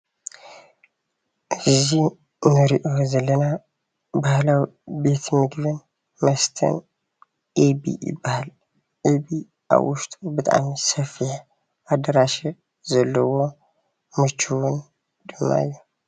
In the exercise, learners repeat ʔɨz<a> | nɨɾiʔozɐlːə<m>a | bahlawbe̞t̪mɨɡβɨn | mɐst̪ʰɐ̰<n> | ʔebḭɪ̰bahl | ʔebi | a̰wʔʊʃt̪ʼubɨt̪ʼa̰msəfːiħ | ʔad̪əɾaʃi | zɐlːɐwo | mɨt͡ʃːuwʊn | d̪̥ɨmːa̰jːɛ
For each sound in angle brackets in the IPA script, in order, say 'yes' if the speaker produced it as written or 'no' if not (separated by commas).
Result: no, no, yes